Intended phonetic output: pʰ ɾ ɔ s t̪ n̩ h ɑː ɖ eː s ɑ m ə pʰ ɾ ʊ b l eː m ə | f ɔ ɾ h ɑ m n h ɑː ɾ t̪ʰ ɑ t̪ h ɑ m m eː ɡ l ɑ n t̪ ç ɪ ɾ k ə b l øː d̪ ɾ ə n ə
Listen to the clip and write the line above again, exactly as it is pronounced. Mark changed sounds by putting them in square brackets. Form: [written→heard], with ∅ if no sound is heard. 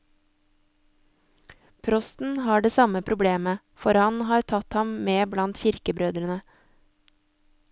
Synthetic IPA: pʰ ɾ ɔ s t̪ n̩ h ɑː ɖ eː s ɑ m ə pʰ ɾ ʊ b l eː m ə | f ɔ ɾ h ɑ [m→∅] n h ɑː ɾ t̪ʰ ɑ t̪ h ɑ m m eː [ɡ→b] l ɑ n t̪ ç ɪ ɾ k ə b [l→ɾ] øː d̪ ɾ ə n ə